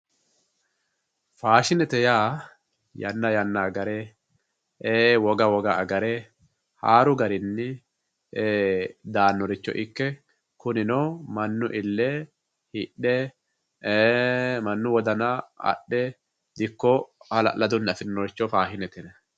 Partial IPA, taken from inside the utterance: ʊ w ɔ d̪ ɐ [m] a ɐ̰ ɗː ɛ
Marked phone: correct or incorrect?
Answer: incorrect: n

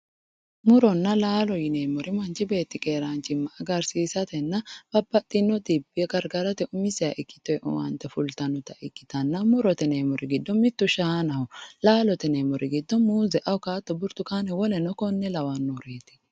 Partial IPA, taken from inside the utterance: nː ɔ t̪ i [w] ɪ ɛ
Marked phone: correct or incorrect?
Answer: incorrect: b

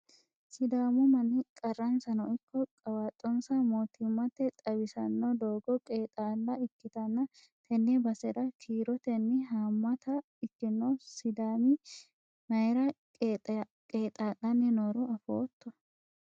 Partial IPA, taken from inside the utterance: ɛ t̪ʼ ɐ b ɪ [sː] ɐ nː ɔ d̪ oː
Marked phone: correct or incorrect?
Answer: incorrect: s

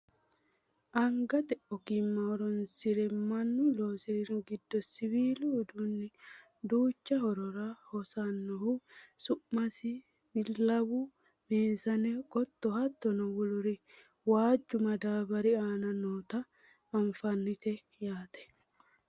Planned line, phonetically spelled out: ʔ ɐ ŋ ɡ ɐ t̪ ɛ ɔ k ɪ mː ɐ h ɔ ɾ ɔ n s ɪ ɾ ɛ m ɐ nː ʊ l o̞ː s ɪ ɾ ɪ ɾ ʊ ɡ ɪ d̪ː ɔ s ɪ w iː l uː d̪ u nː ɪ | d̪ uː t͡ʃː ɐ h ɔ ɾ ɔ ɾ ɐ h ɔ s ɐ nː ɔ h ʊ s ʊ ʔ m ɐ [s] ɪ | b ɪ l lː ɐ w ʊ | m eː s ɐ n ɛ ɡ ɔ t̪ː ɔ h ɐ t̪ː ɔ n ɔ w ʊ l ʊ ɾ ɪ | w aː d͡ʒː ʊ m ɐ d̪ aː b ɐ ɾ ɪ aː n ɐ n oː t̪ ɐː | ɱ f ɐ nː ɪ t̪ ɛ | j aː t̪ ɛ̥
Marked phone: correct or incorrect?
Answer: correct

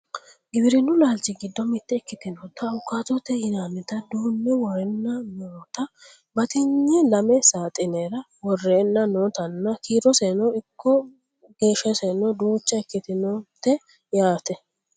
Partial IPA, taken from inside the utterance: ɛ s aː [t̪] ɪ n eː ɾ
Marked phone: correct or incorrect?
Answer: incorrect: t̪ʼ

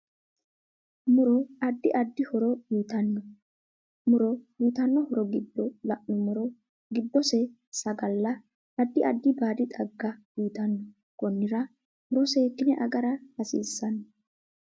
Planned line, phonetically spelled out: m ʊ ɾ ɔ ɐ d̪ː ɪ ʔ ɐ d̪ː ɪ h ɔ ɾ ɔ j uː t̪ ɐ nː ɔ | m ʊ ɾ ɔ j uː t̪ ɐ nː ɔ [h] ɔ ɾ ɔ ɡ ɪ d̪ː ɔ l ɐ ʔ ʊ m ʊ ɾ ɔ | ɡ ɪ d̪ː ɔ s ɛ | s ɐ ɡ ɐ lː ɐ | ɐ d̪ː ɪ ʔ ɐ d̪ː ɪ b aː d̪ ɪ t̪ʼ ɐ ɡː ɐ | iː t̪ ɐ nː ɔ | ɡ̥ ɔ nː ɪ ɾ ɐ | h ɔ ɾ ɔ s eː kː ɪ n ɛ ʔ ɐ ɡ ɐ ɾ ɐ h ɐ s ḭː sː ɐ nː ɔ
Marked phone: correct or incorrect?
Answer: correct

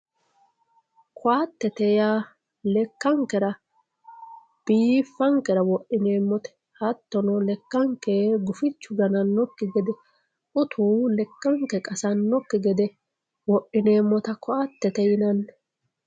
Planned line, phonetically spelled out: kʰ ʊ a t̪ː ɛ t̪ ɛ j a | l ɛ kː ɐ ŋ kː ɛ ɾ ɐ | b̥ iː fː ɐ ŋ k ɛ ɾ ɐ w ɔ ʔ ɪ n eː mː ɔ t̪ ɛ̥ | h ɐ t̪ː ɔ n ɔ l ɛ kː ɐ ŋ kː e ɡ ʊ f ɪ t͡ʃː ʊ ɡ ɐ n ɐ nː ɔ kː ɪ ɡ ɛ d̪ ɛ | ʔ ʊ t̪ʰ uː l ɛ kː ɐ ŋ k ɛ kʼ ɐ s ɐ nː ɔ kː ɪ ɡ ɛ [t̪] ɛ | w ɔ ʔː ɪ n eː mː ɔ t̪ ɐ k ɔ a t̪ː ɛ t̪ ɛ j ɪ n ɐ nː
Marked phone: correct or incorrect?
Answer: incorrect: d̪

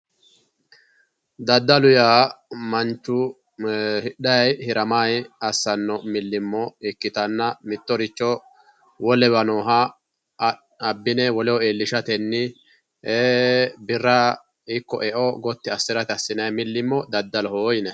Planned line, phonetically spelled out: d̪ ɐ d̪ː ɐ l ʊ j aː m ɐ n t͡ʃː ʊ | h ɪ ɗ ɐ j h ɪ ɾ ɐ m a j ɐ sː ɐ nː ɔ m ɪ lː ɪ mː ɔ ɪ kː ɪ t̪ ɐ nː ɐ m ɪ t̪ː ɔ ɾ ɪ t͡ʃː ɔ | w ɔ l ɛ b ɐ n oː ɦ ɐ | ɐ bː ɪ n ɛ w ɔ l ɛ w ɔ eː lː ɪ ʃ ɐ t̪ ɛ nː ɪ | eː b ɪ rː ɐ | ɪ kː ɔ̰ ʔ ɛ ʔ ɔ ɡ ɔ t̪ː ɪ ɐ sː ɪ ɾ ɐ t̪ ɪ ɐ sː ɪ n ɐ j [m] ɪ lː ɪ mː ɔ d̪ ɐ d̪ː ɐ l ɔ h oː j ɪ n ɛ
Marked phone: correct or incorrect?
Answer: correct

